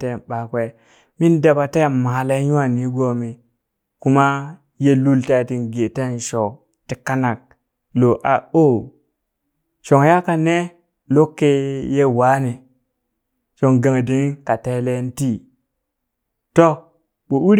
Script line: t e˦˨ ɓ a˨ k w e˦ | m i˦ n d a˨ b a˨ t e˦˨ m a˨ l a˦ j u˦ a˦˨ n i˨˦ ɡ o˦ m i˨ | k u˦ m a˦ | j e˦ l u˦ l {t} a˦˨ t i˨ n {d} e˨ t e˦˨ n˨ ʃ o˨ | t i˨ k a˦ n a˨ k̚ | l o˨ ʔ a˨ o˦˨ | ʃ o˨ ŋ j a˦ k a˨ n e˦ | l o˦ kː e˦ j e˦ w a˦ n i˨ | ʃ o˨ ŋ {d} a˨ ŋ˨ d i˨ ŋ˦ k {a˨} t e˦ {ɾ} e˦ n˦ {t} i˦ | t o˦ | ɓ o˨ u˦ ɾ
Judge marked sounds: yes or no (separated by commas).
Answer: yes, no, no, yes, no, yes